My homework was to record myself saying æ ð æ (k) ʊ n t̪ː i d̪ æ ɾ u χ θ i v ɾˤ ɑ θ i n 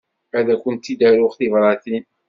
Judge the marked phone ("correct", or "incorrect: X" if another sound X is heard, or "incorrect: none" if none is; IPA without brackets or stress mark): correct